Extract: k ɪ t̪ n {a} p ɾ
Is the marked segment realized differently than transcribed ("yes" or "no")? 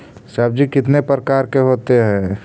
yes